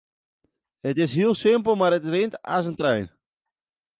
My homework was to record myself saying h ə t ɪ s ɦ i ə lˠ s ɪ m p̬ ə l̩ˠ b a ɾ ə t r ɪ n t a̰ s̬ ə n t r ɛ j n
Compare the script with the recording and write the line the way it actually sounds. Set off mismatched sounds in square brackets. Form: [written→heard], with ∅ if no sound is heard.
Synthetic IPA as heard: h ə t ɪ s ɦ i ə lˠ s ɪ m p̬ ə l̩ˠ [b→m] a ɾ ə t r ɪ n t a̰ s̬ ə n t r ɛ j n